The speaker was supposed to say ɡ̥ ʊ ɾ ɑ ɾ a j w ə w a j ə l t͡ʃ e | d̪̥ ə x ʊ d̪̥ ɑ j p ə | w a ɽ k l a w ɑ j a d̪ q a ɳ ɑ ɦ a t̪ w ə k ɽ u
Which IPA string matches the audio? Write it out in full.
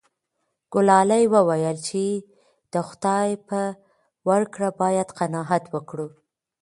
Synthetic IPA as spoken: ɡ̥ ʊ l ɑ l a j w ə w a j ə l t͡ʃ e | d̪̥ ə x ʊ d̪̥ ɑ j p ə | w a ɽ k ɽ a b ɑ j a d̪ q a n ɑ ɦ a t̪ w ə k ɽ u